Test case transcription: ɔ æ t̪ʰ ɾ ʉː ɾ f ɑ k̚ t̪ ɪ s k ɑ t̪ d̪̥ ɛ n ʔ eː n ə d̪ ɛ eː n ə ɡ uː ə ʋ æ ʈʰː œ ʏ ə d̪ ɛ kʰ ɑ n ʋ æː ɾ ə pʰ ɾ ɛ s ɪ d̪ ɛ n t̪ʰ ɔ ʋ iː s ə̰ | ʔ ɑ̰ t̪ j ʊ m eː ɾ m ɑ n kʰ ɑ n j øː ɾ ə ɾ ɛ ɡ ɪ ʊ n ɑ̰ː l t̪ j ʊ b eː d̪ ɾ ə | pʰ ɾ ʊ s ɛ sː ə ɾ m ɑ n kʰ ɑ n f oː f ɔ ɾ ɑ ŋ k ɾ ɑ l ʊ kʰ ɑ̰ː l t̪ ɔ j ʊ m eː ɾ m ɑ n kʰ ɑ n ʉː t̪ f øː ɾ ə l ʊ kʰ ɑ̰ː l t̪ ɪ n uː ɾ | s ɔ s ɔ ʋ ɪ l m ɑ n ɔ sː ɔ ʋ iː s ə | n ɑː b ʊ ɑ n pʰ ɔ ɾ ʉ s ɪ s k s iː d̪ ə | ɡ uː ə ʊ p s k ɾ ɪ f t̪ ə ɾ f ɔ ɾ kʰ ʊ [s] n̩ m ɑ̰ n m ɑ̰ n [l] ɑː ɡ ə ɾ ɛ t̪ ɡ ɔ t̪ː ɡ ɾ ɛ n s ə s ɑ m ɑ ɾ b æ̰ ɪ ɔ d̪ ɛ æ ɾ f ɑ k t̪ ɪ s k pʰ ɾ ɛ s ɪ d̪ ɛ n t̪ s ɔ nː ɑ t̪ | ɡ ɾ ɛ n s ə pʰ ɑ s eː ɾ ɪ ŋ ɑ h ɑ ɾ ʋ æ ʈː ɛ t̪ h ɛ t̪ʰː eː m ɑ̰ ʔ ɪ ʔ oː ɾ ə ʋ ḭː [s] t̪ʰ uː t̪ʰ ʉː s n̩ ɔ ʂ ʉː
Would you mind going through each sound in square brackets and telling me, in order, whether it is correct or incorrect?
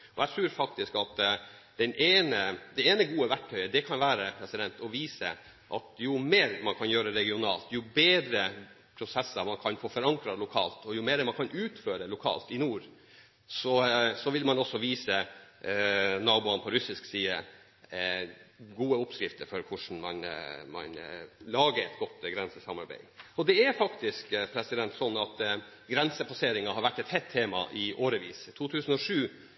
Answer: incorrect: ʂ, correct, correct

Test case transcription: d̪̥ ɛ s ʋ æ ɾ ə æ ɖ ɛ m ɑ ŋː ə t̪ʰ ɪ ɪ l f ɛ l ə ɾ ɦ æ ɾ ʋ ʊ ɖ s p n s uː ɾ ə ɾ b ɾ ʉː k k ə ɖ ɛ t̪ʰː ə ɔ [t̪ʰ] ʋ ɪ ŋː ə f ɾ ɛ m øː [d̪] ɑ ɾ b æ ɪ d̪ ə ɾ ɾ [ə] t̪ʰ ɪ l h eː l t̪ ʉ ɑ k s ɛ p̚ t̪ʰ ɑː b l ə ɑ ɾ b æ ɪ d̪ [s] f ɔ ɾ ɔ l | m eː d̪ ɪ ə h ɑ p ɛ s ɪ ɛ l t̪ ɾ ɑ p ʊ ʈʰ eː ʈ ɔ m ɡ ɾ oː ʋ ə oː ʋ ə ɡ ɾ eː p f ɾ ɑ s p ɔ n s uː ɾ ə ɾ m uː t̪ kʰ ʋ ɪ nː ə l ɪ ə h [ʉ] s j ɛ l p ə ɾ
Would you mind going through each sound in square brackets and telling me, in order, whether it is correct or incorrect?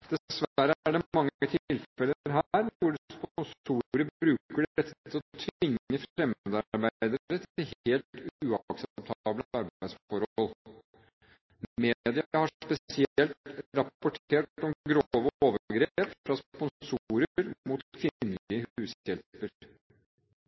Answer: correct, correct, correct, correct, incorrect: ʉː

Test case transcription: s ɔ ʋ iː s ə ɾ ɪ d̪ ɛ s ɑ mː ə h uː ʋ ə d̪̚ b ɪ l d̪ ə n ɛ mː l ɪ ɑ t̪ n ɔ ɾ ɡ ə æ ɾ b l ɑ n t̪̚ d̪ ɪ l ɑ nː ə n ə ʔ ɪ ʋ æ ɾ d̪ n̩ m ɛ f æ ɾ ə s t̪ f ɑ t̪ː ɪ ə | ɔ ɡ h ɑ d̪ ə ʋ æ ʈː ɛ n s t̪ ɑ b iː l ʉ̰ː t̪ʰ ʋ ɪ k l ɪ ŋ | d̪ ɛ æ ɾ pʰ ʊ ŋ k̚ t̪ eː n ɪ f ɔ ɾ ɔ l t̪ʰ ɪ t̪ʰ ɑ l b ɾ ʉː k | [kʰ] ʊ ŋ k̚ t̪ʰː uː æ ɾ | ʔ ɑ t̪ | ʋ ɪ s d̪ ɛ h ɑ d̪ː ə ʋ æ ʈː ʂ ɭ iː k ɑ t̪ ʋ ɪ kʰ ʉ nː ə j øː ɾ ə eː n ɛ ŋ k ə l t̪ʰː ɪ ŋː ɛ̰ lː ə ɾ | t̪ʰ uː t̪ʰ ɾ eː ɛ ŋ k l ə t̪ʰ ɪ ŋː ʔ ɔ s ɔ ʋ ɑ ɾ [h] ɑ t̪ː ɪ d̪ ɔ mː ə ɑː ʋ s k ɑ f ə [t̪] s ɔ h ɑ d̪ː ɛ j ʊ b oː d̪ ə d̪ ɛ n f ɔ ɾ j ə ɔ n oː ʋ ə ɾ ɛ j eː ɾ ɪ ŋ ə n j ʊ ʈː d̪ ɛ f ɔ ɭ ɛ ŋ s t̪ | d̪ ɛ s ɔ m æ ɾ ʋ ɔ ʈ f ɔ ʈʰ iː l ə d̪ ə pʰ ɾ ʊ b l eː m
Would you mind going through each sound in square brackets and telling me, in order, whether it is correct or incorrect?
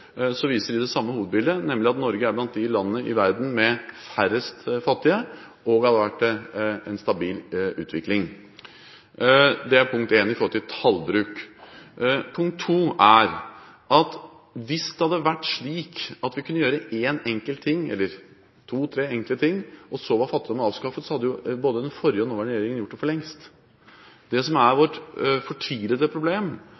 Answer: incorrect: pʰ, incorrect: f, correct

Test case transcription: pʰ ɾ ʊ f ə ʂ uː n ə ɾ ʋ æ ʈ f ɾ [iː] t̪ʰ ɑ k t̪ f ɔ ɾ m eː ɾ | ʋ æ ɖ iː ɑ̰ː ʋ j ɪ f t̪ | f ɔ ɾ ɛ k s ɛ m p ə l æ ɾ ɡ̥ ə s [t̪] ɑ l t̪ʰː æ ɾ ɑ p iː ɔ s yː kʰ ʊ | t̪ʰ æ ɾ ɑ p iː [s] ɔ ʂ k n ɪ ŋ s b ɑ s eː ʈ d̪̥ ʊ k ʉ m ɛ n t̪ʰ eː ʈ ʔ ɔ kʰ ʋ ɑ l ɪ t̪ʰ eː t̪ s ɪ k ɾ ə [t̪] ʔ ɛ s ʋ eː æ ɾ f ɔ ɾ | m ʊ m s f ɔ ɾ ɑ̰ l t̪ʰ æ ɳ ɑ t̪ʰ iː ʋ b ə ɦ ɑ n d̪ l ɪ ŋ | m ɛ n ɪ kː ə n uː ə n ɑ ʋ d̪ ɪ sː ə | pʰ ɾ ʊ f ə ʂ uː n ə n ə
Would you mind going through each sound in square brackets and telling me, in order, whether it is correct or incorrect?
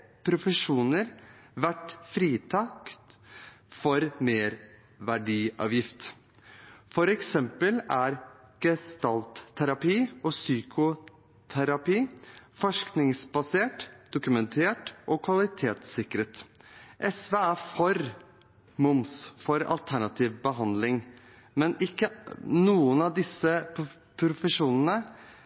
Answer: correct, correct, incorrect: f, correct

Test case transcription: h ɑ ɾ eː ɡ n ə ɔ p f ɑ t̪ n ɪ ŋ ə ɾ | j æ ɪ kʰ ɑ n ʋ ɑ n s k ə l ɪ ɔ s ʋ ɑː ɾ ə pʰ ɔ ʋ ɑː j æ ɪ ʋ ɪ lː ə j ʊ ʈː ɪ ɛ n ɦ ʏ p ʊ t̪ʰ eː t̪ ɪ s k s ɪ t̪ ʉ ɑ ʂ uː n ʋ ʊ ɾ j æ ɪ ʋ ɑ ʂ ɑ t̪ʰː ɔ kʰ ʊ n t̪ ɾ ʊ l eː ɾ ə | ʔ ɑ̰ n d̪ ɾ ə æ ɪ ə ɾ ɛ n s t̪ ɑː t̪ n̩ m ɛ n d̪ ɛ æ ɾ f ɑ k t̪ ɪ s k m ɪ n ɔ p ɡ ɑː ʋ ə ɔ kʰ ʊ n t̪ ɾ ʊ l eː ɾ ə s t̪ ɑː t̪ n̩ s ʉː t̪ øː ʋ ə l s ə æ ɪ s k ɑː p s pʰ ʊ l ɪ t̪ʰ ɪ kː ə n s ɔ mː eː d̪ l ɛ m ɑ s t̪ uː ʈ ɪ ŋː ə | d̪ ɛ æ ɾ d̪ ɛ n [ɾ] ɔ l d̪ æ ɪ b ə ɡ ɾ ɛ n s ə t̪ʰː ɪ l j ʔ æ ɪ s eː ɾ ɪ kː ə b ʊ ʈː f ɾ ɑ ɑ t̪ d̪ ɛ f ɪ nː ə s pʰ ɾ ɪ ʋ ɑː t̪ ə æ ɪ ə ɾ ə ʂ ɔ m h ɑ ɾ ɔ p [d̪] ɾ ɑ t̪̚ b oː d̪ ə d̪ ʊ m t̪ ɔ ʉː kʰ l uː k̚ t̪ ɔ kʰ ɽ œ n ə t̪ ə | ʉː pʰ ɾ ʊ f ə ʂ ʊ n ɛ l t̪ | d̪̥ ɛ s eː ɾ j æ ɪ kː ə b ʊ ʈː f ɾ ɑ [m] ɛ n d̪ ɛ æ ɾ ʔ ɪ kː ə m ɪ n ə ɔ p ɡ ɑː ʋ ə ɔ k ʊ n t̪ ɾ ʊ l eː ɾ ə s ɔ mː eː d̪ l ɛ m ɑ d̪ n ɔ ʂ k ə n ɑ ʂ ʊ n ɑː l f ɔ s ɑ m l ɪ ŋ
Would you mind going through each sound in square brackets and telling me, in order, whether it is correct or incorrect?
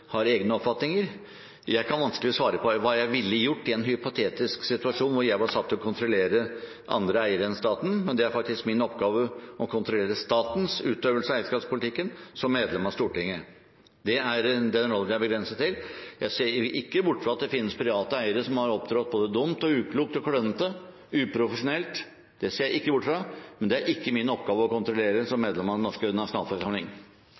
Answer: correct, correct, correct

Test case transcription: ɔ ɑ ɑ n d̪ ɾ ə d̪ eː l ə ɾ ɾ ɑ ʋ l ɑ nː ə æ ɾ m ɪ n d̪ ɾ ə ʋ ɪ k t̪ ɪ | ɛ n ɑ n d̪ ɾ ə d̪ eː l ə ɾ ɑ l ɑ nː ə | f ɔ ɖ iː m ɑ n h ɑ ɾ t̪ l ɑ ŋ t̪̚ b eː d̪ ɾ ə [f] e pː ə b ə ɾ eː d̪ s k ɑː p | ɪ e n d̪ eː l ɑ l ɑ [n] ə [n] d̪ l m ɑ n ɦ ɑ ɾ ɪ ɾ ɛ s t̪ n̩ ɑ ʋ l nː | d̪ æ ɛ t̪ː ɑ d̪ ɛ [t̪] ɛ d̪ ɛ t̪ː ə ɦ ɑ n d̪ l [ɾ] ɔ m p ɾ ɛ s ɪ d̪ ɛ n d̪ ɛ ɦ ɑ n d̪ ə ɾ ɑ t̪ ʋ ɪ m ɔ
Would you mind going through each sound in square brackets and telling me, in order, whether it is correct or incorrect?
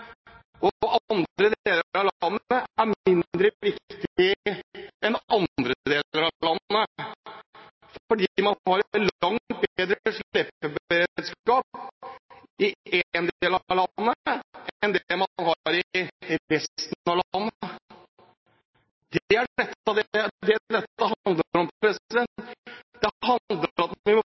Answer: incorrect: ʂ, incorrect: nː, correct, incorrect: d̪, correct

